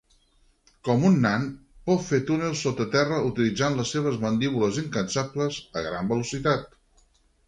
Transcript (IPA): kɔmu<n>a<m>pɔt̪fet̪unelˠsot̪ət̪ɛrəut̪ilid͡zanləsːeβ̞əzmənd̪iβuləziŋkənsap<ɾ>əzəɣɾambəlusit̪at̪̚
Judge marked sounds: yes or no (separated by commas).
no, no, no